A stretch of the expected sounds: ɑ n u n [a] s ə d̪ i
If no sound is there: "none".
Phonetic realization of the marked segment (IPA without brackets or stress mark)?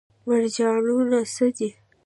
a